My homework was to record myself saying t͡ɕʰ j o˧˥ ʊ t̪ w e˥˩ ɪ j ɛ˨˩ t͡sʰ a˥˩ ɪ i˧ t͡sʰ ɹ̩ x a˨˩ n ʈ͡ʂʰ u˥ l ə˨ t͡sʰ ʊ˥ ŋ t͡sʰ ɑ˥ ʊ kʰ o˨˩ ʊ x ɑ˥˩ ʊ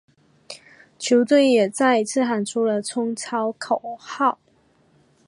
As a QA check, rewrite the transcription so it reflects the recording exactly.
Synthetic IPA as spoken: t͡ɕʰ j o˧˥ ʊ t̪ w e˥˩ ɪ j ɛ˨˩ t͡s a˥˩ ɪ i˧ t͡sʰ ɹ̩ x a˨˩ n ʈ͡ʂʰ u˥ l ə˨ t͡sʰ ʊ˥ ŋ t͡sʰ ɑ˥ ʊ kʰ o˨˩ ʊ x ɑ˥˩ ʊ